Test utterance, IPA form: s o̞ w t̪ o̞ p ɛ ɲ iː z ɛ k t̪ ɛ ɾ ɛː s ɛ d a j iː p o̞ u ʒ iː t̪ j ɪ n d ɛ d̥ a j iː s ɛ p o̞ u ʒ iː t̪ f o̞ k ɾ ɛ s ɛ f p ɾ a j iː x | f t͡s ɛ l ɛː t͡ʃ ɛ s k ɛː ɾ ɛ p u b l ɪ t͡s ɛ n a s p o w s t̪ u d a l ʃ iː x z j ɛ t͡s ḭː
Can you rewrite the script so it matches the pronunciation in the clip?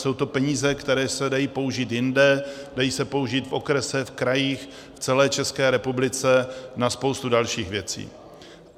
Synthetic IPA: s o̞ w t̪ o̞ p ɛ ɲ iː z ɛ k t̪ ɛ ɾ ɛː s ɛ d a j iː p o̞ u ʒ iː t̪ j ɪ n d ɛ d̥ a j iː s ɛ p o̞ u ʒ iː t̪ f o̞ k ɾ ɛ s ɛ f k ɾ a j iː x | f t͡s ɛ l ɛː t͡ʃ ɛ s k ɛː ɾ ɛ p u b l ɪ t͡s ɛ n a s p o w s t̪ u d a l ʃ iː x v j ɛ t͡s ḭː